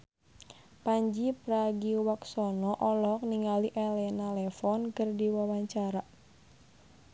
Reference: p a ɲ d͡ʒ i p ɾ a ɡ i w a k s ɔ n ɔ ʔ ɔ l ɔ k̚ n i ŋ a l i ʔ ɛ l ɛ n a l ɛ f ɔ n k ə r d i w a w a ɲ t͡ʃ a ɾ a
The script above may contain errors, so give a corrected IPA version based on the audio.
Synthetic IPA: p a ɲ d͡ʒ i p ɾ a ɡ i w a k s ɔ n ɔ ʔ ɔ l ɔ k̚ n i ŋ a l i ʔ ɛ l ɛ n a l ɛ f ɔ n k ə r d i w a w a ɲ t͡ʃ a ɾ a